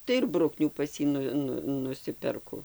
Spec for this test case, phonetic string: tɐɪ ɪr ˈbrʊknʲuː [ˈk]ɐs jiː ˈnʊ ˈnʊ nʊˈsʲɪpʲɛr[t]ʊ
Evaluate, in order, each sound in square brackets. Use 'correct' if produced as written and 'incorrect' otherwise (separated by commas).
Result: incorrect, incorrect